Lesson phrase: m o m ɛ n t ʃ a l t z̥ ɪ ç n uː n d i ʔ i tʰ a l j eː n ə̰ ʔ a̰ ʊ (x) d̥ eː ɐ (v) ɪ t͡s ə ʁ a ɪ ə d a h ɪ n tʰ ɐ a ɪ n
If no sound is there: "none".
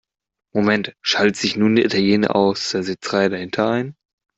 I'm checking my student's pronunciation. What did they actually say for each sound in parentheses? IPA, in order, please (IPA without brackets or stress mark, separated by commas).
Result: s, z